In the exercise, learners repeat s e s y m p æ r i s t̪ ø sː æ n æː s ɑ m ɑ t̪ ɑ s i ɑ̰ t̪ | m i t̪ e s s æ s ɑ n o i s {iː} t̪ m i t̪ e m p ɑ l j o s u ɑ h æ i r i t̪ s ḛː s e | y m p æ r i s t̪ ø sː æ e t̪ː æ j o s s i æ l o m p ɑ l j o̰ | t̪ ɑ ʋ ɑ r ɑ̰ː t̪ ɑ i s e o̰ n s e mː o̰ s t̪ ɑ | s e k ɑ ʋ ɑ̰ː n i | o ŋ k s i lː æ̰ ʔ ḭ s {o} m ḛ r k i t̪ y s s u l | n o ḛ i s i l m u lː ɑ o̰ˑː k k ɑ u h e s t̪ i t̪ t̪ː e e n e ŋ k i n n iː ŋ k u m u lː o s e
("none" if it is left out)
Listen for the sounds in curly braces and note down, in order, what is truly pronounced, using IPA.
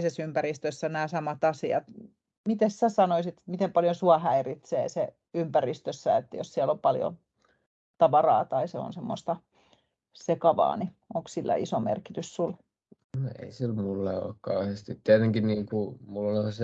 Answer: i, o

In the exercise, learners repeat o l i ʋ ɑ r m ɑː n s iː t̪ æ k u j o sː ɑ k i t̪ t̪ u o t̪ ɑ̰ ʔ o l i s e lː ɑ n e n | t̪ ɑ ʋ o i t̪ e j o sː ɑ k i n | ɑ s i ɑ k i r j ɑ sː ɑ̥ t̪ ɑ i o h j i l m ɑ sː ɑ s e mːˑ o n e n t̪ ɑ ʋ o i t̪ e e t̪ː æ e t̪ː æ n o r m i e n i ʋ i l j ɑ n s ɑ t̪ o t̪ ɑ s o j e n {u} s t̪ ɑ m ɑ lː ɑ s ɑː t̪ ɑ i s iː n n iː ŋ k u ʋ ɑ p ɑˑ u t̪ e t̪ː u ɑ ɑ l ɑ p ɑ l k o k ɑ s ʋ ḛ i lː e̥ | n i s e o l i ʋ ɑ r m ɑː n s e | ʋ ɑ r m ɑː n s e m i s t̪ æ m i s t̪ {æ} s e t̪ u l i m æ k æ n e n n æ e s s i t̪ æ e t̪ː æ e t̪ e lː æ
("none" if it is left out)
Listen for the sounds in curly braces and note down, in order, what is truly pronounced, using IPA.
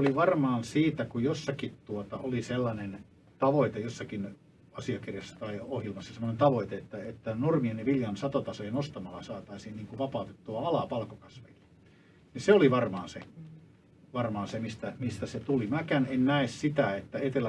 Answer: o, æ

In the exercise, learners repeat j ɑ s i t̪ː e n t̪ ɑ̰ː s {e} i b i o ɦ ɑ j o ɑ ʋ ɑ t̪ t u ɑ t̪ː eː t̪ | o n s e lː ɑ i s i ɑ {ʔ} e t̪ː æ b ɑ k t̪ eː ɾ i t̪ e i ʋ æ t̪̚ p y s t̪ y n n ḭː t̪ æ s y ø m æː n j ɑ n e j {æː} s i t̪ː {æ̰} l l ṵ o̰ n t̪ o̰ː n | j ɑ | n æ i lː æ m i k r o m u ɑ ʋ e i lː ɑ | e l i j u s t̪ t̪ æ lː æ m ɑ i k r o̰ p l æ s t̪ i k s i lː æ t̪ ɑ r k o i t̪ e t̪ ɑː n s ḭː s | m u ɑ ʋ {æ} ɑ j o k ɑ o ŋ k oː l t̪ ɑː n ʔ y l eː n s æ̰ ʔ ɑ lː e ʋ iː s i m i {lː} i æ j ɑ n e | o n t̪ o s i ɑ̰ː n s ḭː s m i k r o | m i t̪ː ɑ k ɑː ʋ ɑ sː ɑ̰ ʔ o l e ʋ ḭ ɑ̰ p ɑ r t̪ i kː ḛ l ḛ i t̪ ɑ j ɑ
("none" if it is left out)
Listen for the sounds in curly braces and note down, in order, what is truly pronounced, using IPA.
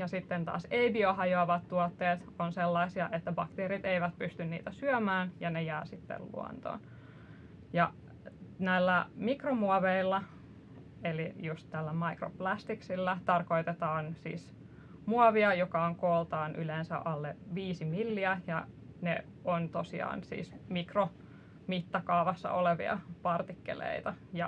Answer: e, ʔ, æː, ḛ, i, lː

